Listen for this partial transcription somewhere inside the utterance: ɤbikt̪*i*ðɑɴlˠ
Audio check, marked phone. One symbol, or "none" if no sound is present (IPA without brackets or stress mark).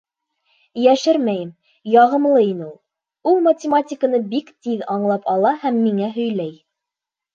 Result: i